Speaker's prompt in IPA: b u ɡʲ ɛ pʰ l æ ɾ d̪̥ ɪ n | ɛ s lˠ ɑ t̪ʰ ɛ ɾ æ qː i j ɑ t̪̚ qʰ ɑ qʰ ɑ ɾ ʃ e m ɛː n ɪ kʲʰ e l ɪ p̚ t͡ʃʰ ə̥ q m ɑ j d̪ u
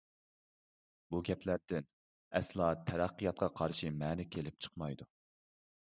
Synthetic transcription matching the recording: b u ɡʲ ɛ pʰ l æ ɾ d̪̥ ɪ n | ɛ s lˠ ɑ t̪ʰ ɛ ɾ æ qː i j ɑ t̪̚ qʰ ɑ qʰ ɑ ɾ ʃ i m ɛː n ɪ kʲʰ e l ɪ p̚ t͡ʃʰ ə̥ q m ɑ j d̪ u